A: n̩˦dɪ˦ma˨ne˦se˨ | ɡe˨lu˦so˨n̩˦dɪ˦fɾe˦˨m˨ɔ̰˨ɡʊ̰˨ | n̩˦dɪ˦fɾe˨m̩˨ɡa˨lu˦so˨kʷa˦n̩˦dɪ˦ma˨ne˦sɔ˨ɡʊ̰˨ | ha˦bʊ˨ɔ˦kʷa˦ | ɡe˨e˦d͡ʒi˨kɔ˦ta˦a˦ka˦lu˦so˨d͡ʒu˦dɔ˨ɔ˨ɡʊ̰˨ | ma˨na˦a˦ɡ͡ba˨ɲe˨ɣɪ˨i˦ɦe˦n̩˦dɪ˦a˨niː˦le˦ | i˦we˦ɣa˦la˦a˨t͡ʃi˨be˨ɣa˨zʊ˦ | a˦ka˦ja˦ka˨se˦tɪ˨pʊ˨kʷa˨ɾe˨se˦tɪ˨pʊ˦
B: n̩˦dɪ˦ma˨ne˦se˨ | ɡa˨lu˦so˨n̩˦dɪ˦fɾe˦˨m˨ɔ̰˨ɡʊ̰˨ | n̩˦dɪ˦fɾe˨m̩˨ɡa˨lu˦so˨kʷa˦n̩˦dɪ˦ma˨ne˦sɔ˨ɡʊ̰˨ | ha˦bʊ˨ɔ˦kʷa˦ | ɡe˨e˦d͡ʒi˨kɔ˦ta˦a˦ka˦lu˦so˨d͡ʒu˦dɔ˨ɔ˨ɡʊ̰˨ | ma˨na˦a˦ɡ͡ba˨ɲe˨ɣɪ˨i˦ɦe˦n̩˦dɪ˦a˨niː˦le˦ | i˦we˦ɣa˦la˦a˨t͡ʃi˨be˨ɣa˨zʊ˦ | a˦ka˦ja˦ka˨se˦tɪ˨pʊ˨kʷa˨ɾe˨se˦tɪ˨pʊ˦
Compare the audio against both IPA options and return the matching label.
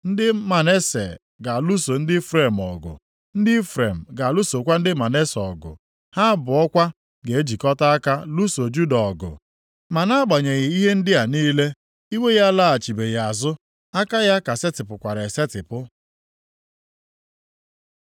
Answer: B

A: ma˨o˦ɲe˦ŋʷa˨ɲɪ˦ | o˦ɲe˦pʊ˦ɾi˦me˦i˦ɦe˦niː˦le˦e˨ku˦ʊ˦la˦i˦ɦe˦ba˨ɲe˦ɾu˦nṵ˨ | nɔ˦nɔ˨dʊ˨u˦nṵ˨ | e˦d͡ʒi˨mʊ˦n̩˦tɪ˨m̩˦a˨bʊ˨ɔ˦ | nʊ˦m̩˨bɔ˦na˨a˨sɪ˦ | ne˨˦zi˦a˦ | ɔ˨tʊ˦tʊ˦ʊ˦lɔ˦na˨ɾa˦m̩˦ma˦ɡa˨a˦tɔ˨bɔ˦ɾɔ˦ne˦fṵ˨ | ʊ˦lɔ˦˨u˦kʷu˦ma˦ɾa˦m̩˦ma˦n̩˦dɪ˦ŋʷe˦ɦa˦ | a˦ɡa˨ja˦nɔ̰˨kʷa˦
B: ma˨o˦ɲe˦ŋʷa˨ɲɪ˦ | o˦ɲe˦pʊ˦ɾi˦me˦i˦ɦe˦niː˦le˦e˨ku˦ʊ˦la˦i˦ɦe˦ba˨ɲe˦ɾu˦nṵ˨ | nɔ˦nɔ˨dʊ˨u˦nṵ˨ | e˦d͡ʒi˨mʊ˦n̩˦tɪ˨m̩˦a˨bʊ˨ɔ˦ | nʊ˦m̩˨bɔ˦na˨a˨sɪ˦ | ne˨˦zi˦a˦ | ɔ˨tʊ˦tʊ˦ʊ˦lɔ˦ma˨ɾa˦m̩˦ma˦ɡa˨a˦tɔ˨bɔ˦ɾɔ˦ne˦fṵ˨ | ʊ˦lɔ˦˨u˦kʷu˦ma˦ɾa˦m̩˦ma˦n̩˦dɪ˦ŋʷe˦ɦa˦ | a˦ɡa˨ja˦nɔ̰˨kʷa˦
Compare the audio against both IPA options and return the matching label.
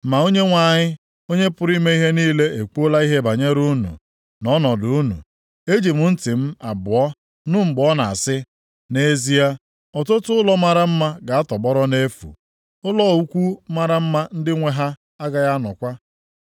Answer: B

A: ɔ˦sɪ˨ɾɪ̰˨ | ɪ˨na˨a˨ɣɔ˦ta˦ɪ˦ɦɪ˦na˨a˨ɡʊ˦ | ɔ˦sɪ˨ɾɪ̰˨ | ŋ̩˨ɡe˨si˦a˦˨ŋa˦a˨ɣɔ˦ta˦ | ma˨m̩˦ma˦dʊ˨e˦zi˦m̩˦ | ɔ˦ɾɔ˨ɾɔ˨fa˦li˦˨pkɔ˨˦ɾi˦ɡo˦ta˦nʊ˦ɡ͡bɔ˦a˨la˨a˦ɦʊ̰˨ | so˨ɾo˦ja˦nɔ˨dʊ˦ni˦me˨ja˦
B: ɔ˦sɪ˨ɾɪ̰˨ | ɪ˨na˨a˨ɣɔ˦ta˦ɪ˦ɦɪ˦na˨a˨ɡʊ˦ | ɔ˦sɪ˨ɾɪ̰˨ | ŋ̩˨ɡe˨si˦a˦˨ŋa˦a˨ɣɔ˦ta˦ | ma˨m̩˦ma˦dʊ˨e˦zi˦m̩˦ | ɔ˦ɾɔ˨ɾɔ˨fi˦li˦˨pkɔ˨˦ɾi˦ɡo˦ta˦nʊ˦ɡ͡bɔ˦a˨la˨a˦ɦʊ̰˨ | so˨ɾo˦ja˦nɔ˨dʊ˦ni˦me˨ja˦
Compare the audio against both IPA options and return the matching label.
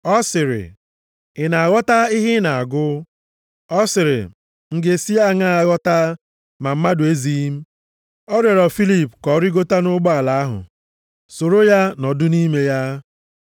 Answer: B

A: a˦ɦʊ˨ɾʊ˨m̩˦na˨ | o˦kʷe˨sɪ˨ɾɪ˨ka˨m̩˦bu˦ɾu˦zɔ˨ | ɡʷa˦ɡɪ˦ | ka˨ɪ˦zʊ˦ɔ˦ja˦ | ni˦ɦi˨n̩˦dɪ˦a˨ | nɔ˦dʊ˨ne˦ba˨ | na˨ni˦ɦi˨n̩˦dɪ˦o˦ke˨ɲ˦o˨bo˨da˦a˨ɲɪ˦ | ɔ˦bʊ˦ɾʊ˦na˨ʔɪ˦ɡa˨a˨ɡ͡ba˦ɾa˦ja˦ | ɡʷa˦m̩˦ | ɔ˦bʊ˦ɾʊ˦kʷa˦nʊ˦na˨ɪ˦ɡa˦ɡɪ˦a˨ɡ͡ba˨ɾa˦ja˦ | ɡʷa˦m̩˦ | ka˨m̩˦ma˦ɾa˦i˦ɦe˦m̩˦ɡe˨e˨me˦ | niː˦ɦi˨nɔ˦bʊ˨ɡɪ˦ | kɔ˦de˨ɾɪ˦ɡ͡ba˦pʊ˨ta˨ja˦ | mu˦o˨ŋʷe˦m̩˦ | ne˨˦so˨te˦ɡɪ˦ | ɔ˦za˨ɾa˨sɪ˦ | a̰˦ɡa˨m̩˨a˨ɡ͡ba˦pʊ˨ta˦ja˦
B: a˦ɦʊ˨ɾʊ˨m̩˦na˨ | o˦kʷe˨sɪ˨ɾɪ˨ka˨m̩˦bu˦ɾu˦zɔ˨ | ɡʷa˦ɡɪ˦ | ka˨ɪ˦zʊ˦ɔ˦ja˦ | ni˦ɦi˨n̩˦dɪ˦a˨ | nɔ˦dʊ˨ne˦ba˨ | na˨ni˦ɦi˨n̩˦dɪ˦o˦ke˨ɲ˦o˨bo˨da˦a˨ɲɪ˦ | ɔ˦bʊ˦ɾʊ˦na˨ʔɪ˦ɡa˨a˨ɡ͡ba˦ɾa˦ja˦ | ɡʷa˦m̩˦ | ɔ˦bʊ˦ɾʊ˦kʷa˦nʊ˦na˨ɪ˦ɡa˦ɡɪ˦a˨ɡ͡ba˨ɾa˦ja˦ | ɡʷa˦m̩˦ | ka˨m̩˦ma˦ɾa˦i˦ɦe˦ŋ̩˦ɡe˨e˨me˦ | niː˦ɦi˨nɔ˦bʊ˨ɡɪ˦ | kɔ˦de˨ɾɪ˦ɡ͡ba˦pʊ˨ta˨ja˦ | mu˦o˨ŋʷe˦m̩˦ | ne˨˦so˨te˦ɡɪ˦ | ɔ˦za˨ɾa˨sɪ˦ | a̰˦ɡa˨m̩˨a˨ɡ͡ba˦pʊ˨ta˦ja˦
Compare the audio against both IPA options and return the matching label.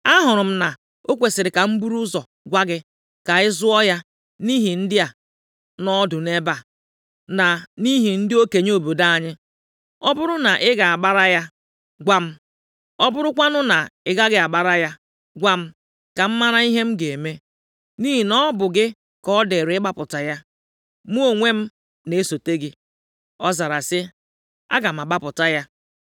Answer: A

